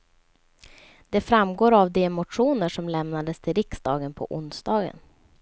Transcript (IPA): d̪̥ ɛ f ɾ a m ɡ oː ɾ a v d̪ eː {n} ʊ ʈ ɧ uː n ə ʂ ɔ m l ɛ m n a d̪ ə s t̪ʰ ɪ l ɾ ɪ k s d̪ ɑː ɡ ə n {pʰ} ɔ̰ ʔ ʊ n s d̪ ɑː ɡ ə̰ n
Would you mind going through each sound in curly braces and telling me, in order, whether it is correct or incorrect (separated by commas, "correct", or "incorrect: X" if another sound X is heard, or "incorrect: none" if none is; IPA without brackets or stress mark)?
incorrect: m, correct